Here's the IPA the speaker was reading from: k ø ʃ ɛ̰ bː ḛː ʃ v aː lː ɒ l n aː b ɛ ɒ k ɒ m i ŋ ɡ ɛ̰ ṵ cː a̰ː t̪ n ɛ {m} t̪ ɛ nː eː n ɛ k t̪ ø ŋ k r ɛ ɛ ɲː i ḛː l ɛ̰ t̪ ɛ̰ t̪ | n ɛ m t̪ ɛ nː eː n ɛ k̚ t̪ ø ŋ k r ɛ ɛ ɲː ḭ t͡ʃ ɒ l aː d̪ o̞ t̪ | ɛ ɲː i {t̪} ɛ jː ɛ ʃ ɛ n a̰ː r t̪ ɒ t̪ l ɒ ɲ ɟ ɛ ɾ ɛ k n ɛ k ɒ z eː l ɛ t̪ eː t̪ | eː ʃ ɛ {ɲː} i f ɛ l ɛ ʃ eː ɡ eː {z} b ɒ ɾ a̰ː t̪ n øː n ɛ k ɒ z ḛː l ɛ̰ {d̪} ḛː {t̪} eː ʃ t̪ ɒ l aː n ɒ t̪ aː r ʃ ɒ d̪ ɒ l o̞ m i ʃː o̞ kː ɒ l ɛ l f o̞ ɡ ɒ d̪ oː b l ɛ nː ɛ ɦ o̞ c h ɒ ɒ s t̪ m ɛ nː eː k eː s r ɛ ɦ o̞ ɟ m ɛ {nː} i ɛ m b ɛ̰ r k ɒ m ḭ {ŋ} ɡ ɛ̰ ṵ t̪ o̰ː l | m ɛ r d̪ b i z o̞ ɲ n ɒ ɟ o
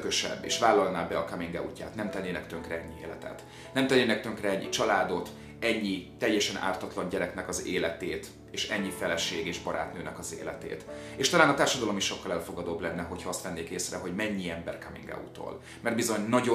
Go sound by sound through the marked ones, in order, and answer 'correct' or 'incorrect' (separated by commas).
correct, correct, correct, incorrect, incorrect, correct, incorrect, correct